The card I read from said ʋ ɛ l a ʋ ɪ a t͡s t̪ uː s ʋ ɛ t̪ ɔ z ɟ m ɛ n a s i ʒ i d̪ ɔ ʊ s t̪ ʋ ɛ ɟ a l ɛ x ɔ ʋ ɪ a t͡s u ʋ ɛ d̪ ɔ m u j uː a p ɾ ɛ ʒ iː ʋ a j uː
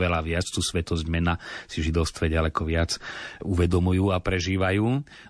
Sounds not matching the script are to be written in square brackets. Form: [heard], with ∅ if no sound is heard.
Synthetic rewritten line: ʋ ɛ l a ʋ ɪ a t͡s t̪ uː s ʋ ɛ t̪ ɔ z ɟ m ɛ n a s i ʒ i d̪ ɔ ʊ s t̪ ʋ ɛ ɟ a l ɛ [k] ɔ ʋ ɪ a t͡s u ʋ ɛ d̪ ɔ m u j uː a p ɾ ɛ ʒ iː ʋ a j uː